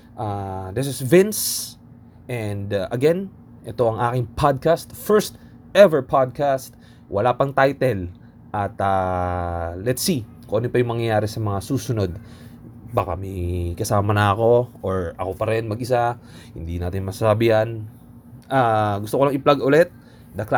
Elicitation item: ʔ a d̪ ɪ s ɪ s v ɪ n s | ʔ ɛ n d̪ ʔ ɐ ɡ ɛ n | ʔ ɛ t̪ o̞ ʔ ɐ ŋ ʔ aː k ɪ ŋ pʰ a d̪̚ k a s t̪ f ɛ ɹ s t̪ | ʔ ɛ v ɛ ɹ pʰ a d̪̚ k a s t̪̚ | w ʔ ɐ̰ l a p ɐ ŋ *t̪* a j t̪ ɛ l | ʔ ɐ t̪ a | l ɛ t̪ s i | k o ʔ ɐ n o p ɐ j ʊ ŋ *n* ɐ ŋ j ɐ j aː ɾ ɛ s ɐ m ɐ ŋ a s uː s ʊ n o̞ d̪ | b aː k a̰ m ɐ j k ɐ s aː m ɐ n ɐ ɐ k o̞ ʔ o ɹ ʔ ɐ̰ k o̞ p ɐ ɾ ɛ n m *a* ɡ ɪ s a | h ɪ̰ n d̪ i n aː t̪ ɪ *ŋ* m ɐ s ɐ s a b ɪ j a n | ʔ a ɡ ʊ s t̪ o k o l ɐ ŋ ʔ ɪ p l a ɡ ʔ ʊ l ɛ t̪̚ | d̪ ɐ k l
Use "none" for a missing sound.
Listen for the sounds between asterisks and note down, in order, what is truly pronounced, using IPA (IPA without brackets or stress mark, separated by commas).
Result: t̪, m, ɐ, n